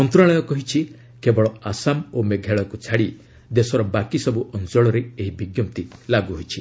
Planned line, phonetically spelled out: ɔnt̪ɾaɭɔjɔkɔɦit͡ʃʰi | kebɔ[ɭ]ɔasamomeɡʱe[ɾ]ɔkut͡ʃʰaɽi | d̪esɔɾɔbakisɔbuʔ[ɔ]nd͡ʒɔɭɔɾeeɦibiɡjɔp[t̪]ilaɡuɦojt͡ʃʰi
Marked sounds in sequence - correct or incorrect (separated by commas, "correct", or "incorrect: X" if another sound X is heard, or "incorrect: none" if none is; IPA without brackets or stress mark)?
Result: correct, incorrect: ɭ, correct, correct